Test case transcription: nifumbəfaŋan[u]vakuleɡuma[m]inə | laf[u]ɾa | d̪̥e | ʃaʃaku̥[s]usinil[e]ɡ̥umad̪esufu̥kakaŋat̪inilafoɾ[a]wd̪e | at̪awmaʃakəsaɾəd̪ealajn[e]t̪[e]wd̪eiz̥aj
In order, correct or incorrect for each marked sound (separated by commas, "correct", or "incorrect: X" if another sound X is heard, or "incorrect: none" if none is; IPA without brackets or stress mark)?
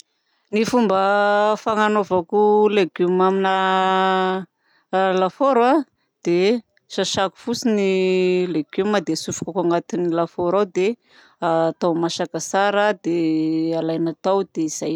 incorrect: o, correct, incorrect: o, incorrect: f, correct, correct, incorrect: a, incorrect: a